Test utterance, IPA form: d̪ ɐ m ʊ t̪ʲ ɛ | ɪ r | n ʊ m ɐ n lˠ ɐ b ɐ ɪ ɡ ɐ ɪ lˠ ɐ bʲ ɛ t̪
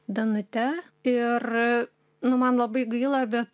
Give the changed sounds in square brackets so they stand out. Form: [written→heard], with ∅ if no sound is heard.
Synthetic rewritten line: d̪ ɐ [m→n] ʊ t̪ʲ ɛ | ɪ r | n ʊ m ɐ n lˠ ɐ b ɐ ɪ ɡ ɐ ɪ lˠ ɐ bʲ ɛ t̪